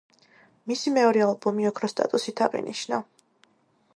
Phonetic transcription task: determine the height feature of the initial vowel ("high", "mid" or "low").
high